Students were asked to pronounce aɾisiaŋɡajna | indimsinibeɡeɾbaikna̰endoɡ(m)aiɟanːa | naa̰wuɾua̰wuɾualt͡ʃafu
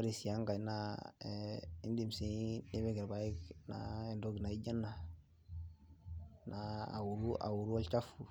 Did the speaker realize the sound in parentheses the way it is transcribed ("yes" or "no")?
no